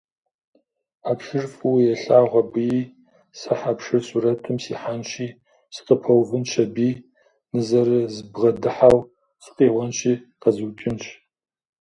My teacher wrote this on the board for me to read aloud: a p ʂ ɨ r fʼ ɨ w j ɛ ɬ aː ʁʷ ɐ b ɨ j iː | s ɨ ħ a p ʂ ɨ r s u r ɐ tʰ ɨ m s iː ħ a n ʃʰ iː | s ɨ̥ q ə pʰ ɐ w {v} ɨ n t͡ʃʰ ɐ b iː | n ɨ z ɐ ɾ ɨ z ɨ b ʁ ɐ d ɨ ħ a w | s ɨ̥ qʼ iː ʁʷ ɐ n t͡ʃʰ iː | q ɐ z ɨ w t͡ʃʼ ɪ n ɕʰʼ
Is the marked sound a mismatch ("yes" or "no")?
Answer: no